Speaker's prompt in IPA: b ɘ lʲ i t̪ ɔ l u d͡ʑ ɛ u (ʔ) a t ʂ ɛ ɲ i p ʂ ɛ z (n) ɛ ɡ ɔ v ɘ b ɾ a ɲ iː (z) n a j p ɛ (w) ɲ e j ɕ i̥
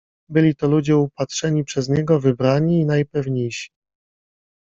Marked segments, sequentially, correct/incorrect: incorrect: p, incorrect: ɲ, incorrect: none, incorrect: v

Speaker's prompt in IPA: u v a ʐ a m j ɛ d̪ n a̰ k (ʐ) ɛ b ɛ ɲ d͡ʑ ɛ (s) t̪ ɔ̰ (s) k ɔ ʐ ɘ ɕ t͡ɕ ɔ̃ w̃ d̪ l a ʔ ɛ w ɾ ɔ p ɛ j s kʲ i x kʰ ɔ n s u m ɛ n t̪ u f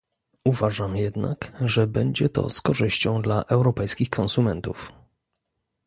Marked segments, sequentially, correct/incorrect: correct, incorrect: none, correct

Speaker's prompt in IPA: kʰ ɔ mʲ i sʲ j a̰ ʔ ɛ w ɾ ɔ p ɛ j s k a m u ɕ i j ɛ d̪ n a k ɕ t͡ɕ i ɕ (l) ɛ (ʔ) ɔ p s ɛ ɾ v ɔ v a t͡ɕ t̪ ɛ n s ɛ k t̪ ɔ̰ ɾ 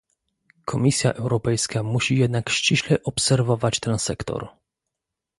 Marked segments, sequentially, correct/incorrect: correct, correct

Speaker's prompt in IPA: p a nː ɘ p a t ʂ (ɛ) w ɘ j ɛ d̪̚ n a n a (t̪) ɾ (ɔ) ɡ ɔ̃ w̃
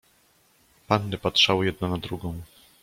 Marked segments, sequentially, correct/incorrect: incorrect: a, incorrect: d̪, incorrect: u

